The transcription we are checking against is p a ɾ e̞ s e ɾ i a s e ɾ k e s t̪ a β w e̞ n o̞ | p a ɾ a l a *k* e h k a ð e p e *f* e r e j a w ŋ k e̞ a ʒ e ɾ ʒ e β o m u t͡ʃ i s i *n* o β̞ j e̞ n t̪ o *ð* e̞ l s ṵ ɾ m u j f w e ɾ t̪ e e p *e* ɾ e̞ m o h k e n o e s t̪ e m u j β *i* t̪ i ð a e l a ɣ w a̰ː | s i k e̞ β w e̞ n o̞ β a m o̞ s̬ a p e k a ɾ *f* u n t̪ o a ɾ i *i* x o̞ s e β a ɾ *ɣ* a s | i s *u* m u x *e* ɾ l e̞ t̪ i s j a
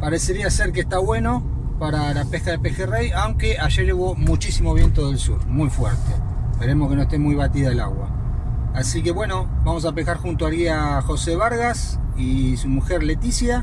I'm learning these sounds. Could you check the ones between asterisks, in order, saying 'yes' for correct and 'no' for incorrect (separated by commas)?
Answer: no, no, no, yes, yes, no, no, no, yes, yes, yes